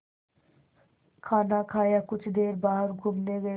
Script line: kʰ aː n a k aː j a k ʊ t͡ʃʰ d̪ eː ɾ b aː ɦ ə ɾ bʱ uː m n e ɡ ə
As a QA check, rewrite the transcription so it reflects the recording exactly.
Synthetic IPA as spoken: kʰ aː n a kʰ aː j a k ʊ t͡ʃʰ d̪ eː ɾ b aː ɦ ə ɾ ɡʱ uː m n e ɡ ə